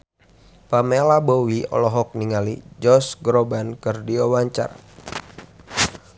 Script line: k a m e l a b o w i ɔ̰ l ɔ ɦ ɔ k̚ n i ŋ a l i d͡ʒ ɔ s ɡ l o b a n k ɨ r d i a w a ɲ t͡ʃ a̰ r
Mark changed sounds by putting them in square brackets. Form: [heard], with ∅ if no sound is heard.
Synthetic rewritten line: [p] a m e l a b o w i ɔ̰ l ɔ ɦ ɔ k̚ n i ŋ a l i d͡ʒ ɔ s ɡ [ɾ] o b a n k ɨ r d i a w a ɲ t͡ʃ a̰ r